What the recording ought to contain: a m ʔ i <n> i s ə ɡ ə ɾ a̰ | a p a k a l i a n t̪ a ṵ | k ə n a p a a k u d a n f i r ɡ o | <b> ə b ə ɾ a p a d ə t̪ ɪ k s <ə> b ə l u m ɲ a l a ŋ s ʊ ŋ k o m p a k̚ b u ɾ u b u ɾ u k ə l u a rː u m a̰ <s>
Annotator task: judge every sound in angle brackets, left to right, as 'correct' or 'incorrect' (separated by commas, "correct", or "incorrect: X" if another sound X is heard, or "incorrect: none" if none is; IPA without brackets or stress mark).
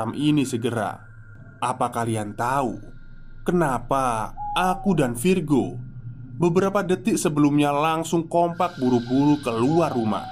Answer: correct, correct, correct, incorrect: h